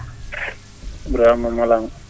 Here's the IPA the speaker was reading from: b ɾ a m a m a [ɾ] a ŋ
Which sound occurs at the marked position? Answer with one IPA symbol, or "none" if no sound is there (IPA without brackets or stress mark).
l